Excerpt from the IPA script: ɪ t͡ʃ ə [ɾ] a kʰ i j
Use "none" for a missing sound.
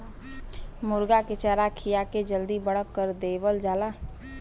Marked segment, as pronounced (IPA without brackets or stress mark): ɾ